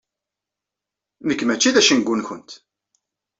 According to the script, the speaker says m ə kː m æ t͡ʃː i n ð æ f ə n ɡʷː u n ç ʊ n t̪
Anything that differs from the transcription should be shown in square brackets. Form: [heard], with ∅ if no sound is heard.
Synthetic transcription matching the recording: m ə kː m æ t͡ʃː i [∅] ð æ [ʃ] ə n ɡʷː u n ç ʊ n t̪